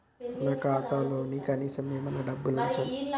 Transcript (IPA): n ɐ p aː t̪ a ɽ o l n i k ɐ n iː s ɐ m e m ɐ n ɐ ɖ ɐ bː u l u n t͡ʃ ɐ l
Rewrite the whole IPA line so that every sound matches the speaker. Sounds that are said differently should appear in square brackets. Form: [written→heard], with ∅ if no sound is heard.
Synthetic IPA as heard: n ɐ [p→k] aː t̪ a [ɽ→l] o [l→∅] n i k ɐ n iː s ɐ m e m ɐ n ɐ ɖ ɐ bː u l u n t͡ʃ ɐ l